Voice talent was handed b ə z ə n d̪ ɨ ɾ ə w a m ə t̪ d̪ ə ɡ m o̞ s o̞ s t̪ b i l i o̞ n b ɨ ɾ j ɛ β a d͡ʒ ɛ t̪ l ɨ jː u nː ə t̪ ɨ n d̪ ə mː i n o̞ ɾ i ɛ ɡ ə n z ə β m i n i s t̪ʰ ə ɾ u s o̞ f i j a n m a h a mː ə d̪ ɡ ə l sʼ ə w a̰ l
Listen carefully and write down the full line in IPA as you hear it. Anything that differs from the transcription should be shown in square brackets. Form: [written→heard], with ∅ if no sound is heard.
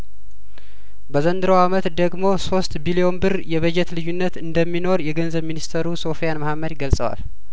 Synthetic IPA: b ə z ə n d̪ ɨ ɾ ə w a m ə t̪ d̪ ə ɡ m o̞ s o̞ s t̪ b i l i o̞ n b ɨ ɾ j ɛ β [a→ə] d͡ʒ ɛ t̪ l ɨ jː u nː ə t̪ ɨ n d̪ ə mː i n o̞ ɾ [i→j] ɛ ɡ ə n z ə β m i n i s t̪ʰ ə ɾ u s o̞ f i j a n m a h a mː ə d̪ ɡ ə l sʼ ə w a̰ l